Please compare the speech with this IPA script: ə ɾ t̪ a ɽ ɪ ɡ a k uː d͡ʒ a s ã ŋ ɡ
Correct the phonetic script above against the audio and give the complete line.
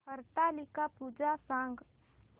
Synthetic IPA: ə ɾ t̪ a l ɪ k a p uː d͡ʒ a s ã ŋ ɡ

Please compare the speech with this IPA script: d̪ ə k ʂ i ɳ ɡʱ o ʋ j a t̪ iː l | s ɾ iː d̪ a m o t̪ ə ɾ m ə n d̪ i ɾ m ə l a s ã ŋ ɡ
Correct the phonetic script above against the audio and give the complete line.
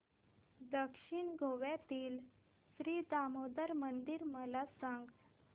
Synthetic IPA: d̪ ə k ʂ i ɳ ɡʱ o ʋ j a t̪ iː l | s ɾ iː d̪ a m o d̪ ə ɾ m ə n d̪ i ɾ m ə l a s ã ŋ ɡ

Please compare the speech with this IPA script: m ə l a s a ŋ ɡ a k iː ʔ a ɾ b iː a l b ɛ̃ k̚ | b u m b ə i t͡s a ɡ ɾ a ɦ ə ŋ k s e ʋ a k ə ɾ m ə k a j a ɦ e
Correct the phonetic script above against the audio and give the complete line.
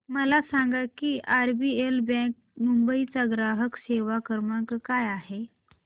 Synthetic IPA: m ə l a s a ŋ ɡ a k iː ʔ a ɾ b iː e l b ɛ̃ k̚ | m u m b ə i t͡s a ɡ ɾ a ɦ ə k s e ʋ a k ə ɾ m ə k a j a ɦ e

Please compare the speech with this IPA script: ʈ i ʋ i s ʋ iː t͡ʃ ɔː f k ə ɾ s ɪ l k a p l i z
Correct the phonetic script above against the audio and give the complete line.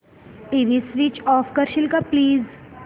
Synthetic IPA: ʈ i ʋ i s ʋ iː t͡ʃ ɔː f k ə ɾ ʃ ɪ l k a p l iː z

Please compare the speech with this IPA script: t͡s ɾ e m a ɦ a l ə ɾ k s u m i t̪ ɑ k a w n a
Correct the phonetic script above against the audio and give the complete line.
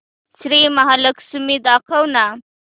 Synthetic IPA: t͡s ɾ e m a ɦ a l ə k s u m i d̪ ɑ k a w n a

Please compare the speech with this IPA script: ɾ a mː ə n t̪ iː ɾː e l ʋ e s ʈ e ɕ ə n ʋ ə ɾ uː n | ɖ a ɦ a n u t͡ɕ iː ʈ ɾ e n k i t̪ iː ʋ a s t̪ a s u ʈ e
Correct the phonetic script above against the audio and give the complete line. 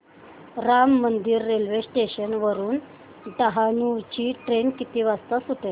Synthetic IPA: ɾ a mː ə n d̪ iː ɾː e l ʋ e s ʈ e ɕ ə n ʋ ə ɾ uː n | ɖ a ɦ a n u t͡ɕ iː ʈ ɾ e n k i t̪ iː ʋ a s t̪ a s u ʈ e

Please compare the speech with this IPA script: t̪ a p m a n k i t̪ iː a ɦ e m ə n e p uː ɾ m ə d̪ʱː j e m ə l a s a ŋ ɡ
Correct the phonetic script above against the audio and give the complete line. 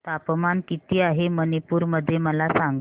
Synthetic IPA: t̪ a p m a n k i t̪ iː a ɦ e m ə n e p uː ɾ m ə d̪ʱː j e m ə l a s a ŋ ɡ

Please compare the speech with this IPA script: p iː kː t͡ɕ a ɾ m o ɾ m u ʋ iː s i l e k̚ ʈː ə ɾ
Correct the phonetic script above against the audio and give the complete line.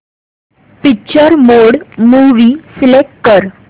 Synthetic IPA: p i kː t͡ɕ ə ɾ m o ɽ m u ʋ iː s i l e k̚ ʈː ə ɾ

